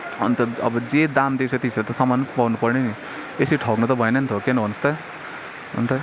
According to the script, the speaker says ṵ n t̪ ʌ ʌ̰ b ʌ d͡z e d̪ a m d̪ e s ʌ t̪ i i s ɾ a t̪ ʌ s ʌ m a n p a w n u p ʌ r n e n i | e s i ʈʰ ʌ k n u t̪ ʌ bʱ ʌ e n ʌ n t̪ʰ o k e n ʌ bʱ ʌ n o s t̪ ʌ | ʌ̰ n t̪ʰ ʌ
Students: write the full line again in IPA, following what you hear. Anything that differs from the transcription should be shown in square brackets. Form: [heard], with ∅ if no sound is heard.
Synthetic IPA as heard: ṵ n t̪ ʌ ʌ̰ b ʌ d͡z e d̪ a m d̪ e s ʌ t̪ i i s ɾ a t̪ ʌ s ʌ m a n p a w n u p ʌ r n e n i | e s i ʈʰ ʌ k n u t̪ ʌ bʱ ʌ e n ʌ n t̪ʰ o k e n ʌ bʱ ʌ n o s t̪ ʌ | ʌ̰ n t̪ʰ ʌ